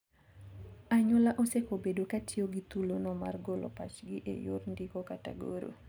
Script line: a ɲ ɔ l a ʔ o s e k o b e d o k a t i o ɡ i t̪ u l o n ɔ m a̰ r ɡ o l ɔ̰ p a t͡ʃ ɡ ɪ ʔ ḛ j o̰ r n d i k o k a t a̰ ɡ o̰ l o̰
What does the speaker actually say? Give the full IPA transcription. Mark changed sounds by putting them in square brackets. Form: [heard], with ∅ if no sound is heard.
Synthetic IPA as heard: a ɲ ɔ l a ʔ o s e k o b e d o k a t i o ɡ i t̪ u l o n ɔ m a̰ r ɡ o l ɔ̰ p a t͡ʃ ɡ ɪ ʔ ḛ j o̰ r n d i k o k a t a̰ ɡ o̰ [ɾ] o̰